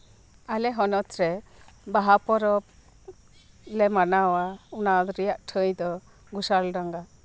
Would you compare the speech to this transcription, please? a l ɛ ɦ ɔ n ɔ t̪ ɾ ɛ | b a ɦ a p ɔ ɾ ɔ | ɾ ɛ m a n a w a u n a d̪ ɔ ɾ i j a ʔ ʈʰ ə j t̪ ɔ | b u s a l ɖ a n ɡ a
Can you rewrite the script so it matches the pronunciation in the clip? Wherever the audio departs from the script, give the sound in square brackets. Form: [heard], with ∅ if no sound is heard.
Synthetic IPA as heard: a l ɛ ɦ ɔ n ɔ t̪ ɾ ɛ | b a ɦ a p ɔ ɾ ɔ | [l] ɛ m a n a w a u n a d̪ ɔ ɾ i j a ʔ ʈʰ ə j [d̪] ɔ | [ɡ] u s a l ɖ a [ŋ] ɡ a